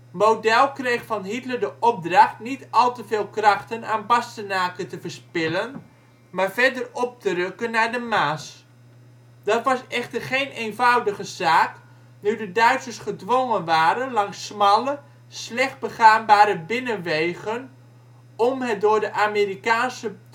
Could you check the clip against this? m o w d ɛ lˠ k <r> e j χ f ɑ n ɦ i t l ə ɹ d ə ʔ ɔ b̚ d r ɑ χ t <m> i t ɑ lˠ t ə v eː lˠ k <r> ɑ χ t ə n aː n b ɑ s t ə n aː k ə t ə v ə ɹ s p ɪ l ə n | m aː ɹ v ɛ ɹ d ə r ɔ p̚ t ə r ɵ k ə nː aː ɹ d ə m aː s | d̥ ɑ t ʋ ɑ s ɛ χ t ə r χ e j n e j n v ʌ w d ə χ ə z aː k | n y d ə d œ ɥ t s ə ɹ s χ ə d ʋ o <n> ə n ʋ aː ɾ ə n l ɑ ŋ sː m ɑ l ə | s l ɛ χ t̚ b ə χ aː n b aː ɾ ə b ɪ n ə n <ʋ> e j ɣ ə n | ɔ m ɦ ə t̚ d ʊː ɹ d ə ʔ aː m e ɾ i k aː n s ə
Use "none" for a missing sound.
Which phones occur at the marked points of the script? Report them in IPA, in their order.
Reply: r, n, r, ŋ, ʋ

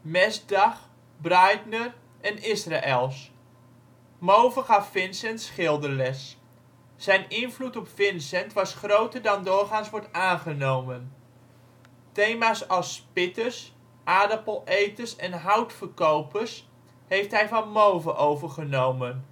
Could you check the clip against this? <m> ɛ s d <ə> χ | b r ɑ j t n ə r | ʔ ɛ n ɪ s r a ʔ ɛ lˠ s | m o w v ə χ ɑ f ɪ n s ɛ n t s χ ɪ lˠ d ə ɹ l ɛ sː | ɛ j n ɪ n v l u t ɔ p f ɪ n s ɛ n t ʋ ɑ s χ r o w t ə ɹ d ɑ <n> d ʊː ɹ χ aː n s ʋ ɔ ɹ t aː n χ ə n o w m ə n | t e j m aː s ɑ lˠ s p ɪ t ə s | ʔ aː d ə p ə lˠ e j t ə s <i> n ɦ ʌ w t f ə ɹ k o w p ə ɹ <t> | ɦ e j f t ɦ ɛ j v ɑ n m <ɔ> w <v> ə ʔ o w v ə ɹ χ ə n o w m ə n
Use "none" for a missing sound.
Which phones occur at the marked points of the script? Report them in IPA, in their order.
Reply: m, ɑ, n, ɛ, s, o, v

